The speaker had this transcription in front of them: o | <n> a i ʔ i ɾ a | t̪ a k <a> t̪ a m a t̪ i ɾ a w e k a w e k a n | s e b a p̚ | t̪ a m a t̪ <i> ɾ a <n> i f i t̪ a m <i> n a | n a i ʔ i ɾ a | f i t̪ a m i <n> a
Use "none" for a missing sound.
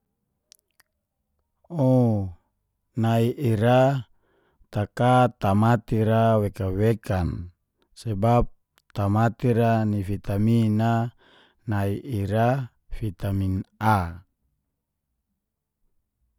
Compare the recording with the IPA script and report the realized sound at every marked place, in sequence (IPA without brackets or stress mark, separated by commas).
n, a, i, n, i, n